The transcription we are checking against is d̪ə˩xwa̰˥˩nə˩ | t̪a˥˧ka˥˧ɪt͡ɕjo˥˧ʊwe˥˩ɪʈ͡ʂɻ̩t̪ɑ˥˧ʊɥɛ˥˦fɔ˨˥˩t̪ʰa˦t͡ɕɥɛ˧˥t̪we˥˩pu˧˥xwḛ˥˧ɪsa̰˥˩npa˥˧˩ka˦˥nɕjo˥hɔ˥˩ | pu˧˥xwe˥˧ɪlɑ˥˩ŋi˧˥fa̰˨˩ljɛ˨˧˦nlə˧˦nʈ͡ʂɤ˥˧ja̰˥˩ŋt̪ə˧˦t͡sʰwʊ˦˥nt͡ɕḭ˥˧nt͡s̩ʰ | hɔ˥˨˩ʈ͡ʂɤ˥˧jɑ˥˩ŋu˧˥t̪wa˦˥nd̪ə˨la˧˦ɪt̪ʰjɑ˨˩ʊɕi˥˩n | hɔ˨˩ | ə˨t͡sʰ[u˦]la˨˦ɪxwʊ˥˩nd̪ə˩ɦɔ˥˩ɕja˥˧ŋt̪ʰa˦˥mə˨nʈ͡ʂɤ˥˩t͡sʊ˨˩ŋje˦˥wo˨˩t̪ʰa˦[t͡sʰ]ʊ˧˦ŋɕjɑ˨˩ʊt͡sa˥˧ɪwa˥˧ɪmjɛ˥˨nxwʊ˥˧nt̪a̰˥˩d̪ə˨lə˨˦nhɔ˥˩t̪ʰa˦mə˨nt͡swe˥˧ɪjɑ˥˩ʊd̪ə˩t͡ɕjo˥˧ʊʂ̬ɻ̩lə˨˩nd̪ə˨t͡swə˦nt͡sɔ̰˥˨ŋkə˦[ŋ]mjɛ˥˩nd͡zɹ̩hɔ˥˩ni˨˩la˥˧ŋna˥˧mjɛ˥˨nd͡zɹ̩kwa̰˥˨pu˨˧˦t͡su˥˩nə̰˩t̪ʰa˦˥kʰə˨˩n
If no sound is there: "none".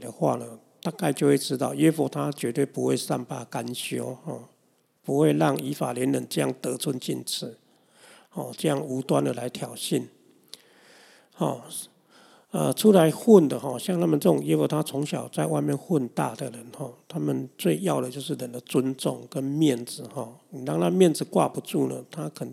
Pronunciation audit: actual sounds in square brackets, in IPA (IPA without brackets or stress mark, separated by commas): u˦, t͡sʰ, n